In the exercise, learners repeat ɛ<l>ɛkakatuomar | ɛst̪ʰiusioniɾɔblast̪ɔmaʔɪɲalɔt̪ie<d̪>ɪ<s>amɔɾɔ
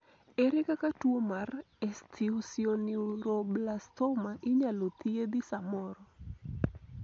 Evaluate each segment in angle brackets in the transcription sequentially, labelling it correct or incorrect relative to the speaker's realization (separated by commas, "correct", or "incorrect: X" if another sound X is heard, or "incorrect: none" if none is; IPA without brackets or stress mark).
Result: incorrect: ɾ, correct, correct